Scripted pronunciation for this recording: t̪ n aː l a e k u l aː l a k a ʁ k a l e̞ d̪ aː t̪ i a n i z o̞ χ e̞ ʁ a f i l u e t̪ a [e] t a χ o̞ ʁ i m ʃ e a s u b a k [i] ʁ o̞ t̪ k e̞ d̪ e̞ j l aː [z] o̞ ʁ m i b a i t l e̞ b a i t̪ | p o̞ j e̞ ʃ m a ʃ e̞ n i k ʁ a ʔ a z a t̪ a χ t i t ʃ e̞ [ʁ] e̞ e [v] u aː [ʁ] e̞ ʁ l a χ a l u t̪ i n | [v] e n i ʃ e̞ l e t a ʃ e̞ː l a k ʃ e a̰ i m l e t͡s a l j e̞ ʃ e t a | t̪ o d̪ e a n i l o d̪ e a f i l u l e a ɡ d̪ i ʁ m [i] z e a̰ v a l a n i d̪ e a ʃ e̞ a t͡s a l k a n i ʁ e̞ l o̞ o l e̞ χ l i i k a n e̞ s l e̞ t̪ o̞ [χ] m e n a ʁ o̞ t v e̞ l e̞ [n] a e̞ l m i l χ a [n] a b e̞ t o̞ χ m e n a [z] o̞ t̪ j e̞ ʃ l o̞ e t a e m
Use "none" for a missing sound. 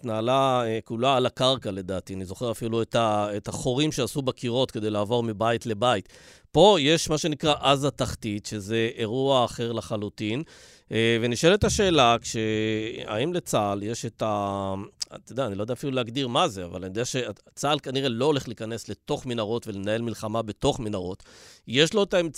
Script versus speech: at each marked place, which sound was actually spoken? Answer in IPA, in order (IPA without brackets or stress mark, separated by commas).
e, i, v, z, ʁ, χ, v, a, χ, n, m, ʁ